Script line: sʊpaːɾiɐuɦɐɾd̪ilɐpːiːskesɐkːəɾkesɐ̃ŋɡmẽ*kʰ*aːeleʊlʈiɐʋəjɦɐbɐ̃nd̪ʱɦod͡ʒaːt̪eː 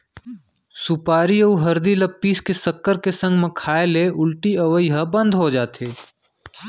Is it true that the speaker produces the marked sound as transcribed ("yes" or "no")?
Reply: yes